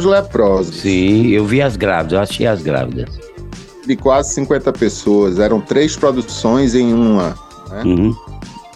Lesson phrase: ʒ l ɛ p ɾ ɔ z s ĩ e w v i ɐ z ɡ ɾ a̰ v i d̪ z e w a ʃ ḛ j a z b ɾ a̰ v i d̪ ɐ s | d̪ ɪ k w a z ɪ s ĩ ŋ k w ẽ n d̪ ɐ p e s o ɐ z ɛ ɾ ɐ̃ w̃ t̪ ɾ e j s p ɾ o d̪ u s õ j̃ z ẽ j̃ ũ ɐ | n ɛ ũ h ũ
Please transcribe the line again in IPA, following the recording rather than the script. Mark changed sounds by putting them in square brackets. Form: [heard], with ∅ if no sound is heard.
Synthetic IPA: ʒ l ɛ p ɾ ɔ z s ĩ e w v i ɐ z ɡ ɾ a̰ v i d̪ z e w a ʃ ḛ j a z [ɡ] ɾ a̰ v i d̪ ɐ s | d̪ ɪ k w a z ɪ s ĩ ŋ k w ẽ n [t̪] ɐ p e s o ɐ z ɛ ɾ ɐ̃ w̃ t̪ ɾ e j s p ɾ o d̪ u s õ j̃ z ẽ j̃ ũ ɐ | n ɛ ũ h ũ